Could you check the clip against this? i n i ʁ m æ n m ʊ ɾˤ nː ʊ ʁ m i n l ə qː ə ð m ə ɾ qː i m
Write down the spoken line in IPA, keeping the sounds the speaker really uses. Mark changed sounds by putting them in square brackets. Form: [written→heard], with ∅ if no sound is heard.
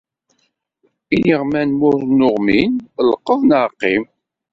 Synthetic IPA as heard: i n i ʁ m æ n m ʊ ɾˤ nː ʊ ʁ m i n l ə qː ə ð [m→n] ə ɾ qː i m